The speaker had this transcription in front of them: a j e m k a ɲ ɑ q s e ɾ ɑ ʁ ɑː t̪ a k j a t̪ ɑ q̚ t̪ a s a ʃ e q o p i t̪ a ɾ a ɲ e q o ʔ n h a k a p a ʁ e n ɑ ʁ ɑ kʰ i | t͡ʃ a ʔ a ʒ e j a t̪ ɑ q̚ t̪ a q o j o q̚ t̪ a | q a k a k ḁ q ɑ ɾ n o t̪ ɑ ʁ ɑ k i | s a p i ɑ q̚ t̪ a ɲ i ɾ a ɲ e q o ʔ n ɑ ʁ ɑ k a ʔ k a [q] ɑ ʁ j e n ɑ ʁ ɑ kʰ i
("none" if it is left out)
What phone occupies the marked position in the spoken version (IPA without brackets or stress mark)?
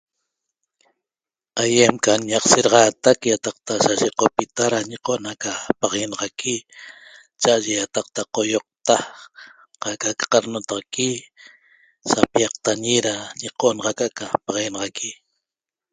p